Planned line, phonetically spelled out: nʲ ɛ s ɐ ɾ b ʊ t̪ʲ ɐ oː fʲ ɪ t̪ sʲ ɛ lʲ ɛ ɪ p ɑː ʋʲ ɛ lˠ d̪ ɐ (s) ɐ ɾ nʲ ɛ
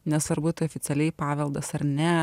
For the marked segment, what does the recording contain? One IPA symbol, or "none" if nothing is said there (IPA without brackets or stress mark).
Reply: s